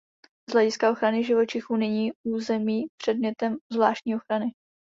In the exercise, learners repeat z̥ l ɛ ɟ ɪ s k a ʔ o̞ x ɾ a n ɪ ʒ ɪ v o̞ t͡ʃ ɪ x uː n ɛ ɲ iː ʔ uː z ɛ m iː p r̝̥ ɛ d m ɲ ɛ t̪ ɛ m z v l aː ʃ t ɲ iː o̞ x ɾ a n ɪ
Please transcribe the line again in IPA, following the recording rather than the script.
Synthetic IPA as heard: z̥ l ɛ ɟ ɪ s k a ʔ o̞ x ɾ a n ɪ ʒ ɪ v o̞ t͡ʃ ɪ x uː n ɛ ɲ iː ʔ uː z ɛ m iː p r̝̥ ɛ d m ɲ ɛ t̪ ɛ m z v l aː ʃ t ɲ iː o̞ x ɾ a n ɪ